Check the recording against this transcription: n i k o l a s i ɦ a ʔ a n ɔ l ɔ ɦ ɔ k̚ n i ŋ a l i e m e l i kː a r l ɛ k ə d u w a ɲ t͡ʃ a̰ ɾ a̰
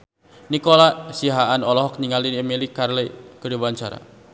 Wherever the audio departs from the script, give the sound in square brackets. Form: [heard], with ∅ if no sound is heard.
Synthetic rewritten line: n i k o l a s i ɦ a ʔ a n ɔ l ɔ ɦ ɔ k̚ n i ŋ a l i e m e l i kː a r l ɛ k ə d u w a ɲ t͡ʃ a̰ ɾ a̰